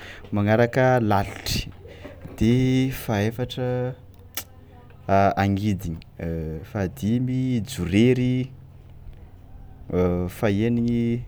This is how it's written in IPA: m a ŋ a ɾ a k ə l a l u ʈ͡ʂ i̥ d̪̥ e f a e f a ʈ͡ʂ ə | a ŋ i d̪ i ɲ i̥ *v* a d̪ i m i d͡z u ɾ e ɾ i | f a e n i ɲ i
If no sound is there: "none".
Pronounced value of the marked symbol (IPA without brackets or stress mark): f